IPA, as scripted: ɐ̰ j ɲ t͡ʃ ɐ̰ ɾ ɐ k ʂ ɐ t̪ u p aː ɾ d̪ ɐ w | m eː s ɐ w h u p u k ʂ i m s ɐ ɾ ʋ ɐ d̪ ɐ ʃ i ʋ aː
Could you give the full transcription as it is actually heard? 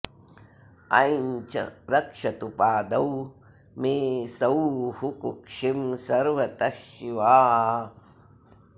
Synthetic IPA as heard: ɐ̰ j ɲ t͡ʃ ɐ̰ ɾ ɐ k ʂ ɐ t̪ u p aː d̪ ɐ w | m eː s ɐ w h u k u k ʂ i m s ɐ ɾ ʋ ɐ t̪ ɐ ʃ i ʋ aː